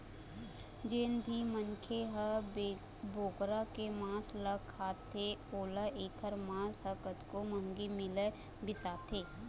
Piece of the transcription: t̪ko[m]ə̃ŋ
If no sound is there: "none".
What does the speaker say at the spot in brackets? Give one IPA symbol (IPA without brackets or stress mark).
m